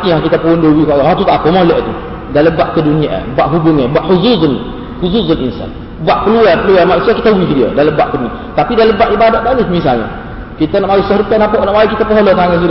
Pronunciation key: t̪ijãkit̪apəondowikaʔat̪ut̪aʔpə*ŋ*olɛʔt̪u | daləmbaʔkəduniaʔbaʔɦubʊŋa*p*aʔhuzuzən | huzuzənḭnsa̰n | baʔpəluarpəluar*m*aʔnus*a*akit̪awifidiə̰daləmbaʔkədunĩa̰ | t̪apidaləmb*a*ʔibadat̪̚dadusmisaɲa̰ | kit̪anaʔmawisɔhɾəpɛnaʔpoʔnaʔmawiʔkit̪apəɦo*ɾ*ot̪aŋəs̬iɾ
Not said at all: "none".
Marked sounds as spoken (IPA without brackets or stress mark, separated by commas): m, b, m, i, a, l